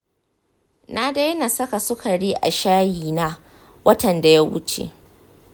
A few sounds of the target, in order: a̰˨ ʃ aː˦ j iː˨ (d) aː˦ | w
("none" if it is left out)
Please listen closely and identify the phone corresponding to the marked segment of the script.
n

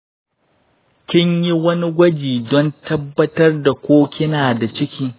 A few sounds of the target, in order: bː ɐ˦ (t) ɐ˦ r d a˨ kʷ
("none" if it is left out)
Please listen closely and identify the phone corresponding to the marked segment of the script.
t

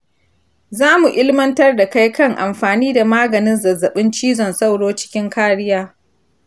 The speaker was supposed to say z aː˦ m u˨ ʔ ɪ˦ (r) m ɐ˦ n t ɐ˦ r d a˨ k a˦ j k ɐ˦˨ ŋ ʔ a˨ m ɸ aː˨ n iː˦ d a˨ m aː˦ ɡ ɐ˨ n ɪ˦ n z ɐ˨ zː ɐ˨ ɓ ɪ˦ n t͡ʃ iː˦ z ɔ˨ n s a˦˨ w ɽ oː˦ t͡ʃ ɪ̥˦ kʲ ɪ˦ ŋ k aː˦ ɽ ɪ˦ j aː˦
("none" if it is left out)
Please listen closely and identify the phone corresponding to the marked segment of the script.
l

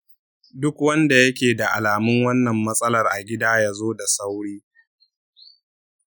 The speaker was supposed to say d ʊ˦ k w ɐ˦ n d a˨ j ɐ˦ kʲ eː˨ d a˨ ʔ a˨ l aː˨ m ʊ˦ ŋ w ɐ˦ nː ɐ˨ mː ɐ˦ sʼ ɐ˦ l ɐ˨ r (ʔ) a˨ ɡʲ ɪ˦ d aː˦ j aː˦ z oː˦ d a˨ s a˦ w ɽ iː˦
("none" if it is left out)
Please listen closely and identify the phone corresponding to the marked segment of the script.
ʔ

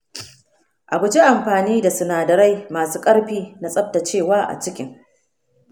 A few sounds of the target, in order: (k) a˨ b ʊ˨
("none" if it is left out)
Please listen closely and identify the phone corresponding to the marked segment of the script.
ʔ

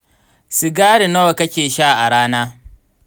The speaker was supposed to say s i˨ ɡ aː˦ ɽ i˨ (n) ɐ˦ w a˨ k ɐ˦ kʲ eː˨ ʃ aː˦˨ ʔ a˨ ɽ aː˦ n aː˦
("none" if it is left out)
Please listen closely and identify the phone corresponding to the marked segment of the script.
n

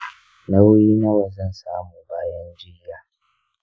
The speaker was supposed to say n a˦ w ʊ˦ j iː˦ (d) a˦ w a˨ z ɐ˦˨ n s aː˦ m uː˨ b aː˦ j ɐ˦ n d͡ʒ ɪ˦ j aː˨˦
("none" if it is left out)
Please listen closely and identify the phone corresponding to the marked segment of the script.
n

